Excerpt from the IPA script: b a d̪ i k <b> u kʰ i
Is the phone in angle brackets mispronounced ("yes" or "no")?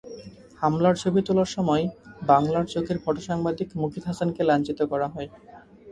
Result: yes